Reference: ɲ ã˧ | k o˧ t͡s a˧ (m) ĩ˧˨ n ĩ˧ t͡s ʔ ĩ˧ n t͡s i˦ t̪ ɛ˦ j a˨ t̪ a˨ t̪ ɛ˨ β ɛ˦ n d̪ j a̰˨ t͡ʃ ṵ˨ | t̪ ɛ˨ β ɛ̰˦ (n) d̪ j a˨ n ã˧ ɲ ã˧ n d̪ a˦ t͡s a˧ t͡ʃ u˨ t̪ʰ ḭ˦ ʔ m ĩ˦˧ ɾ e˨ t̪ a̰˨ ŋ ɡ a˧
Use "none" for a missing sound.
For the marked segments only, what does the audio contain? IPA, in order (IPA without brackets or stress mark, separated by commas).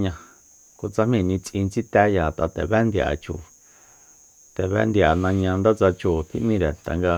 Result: m, n